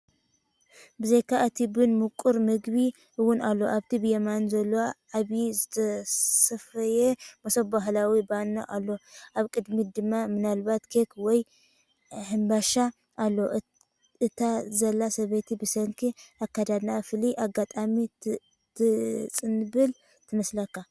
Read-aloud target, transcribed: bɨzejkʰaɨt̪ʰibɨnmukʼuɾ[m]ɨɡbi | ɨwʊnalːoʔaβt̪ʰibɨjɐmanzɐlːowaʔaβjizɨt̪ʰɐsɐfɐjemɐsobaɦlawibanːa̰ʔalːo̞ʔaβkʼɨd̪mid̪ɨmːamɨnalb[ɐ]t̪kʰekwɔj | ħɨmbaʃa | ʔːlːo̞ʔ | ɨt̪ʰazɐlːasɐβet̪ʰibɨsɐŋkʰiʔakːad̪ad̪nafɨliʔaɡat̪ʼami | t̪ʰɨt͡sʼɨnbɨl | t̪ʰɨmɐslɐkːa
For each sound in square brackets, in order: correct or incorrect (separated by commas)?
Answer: correct, incorrect